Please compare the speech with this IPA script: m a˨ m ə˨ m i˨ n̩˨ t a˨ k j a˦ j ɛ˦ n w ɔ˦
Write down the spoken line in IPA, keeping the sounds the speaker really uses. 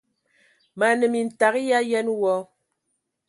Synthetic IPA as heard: m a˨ n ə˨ m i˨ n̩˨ t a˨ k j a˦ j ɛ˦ n w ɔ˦